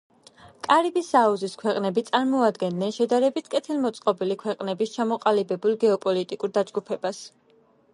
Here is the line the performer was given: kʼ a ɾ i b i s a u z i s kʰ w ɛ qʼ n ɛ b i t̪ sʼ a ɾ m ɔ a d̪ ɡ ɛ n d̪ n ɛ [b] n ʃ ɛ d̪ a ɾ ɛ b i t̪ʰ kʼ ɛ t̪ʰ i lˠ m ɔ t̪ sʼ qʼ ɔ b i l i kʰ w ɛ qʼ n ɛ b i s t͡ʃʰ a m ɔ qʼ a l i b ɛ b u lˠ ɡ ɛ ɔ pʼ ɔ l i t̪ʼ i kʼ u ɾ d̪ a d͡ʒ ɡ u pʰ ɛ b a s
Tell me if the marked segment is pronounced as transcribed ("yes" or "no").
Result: no